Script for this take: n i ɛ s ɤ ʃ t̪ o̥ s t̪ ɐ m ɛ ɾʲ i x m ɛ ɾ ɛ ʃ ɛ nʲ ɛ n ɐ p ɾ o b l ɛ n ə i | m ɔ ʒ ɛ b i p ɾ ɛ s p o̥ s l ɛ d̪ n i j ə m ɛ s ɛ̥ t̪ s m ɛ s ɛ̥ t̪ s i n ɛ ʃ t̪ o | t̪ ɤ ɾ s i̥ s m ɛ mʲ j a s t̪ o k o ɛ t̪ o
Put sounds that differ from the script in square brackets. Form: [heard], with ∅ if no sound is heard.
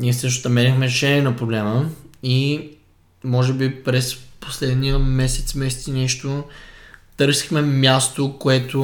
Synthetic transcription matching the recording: n i ɛ s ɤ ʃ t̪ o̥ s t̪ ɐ m ɛ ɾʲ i x m ɛ ɾ ɛ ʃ ɛ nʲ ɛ n ɐ p ɾ o b l ɛ [m] ə i | m ɔ ʒ ɛ b i p ɾ ɛ s p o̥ s l ɛ d̪ n i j ə m ɛ s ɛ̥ t̪ s m ɛ s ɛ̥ t̪ s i n ɛ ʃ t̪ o | t̪ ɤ ɾ s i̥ [x] m ɛ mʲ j a s t̪ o k o ɛ t̪ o